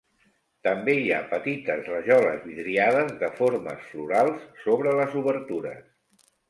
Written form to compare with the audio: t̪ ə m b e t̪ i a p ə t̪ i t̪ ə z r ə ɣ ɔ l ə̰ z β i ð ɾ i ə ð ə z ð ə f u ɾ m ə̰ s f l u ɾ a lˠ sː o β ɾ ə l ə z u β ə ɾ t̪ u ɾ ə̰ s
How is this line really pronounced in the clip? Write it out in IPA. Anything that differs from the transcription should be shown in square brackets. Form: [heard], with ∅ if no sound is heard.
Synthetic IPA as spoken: t̪ ə m b e [∅] i a p ə t̪ i t̪ ə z r ə [ʒ] ɔ l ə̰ z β i ð ɾ i [a] ð ə z ð ə f [o] ɾ m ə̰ s f l u ɾ a lˠ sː o β ɾ ə l ə z u β ə ɾ t̪ u ɾ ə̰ s